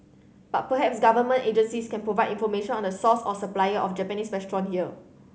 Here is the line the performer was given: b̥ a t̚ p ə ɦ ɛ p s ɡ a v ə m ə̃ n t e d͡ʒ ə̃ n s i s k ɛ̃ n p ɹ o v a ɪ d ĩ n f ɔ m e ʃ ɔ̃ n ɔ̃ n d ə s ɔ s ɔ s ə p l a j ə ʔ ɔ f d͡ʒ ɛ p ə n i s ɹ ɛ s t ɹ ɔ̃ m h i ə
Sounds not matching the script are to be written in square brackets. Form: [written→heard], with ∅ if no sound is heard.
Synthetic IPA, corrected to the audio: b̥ a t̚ p ə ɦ ɛ p s ɡ a v ə m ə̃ n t e d͡ʒ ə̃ n s i s k ɛ̃ n p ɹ o v a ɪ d ĩ n f ɔ m e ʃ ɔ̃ n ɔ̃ n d ə s ɔ s ɔ s ə p l a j ə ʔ ɔ f d͡ʒ ɛ p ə n i s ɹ ɛ s t ɹ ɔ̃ [m→n] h i ə